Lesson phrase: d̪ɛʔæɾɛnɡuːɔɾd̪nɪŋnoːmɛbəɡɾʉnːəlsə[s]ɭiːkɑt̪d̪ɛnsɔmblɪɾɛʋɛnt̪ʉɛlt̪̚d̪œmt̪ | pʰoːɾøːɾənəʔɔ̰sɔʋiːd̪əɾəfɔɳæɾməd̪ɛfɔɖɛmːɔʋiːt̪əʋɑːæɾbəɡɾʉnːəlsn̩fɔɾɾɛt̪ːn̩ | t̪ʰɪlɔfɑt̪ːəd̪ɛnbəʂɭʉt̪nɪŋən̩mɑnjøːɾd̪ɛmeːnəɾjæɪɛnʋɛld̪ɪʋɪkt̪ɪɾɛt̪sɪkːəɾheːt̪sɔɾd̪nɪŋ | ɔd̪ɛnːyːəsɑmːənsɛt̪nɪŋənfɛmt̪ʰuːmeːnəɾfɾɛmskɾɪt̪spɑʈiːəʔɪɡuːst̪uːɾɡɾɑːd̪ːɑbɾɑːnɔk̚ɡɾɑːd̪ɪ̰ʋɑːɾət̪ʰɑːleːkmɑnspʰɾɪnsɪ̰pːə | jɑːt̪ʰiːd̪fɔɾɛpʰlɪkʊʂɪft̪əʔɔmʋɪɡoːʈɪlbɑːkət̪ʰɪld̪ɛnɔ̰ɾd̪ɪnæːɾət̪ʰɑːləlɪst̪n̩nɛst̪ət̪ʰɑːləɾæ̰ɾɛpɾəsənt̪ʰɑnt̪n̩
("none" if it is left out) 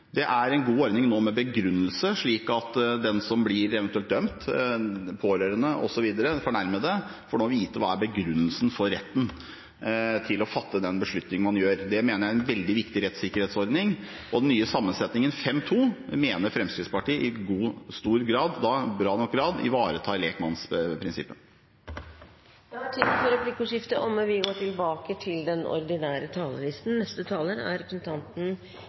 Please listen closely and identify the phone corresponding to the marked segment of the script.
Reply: ʂ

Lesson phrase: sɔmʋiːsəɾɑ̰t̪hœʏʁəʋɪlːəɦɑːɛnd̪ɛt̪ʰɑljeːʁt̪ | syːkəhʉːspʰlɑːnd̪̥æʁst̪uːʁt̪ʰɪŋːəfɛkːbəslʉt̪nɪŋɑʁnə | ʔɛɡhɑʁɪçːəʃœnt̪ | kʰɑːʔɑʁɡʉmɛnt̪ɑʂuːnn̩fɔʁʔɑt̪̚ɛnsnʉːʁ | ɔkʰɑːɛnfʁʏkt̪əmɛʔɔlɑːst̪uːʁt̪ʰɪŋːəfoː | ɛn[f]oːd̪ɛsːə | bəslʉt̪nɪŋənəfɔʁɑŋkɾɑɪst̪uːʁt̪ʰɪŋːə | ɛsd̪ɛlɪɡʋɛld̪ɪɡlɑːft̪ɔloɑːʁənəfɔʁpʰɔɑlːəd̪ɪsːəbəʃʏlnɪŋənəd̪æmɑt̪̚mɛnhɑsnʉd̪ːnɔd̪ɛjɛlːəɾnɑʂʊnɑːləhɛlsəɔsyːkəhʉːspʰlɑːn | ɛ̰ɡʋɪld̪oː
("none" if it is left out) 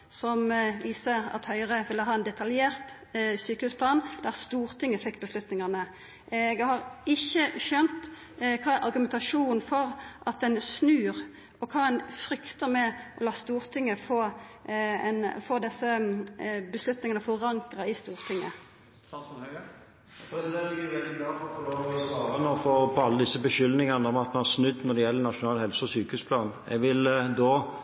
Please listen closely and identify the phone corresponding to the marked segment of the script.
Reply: f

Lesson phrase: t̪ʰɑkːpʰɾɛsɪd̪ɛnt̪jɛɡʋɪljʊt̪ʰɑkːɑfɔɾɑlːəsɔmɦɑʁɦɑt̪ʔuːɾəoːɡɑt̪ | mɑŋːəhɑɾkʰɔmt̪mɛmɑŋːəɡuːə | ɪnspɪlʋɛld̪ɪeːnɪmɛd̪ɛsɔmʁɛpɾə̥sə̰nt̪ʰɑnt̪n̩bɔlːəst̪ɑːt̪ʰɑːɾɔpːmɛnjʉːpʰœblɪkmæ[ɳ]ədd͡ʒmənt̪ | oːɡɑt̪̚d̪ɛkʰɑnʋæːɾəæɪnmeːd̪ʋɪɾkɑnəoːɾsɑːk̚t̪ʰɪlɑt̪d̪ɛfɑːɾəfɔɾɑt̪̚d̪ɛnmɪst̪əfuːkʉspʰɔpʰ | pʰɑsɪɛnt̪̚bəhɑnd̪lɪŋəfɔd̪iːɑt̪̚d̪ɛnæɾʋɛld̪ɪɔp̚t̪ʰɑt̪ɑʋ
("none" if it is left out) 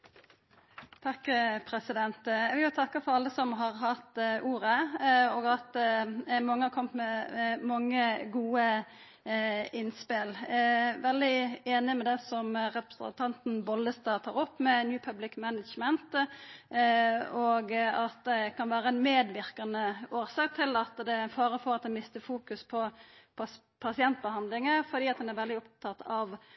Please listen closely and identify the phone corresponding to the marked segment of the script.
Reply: n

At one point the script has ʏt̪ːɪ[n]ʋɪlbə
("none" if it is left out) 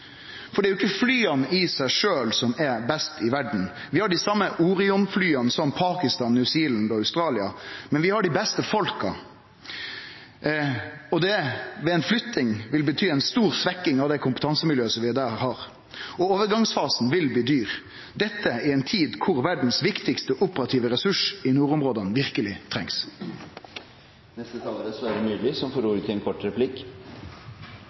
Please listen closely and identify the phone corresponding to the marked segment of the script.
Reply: ŋ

